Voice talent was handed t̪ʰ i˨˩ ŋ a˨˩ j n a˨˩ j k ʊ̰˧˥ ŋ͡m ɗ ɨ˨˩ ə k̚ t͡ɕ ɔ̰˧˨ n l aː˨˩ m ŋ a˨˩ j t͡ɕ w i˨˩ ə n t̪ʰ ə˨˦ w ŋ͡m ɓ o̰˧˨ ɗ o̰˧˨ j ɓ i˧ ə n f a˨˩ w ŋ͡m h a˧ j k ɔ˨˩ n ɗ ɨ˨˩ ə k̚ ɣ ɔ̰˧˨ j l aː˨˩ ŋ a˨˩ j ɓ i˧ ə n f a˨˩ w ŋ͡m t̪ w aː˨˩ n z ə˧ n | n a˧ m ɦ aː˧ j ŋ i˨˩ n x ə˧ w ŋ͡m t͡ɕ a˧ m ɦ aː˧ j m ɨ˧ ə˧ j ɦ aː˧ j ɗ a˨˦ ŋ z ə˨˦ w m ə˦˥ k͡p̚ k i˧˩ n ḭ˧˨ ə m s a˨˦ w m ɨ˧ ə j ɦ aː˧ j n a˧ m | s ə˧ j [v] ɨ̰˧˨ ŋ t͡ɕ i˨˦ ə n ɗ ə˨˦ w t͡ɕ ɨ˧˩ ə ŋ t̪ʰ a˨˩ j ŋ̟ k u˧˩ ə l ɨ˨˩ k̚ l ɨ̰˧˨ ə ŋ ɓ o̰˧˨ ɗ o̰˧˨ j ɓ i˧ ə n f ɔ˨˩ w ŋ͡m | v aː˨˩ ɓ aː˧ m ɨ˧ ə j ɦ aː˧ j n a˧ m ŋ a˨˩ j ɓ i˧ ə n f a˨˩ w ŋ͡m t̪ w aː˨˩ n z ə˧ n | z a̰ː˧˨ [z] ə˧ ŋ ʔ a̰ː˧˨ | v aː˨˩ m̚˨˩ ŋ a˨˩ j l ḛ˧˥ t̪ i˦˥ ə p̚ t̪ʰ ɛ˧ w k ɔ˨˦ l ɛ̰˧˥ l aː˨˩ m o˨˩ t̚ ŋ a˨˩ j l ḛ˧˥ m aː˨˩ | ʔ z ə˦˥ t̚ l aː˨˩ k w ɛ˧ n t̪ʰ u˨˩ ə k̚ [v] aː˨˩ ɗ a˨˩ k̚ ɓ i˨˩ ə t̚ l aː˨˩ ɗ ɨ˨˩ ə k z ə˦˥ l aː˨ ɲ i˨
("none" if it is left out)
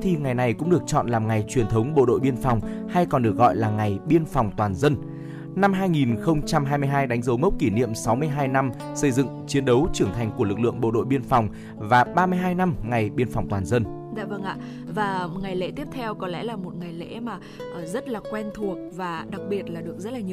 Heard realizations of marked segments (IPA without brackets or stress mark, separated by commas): z, v, v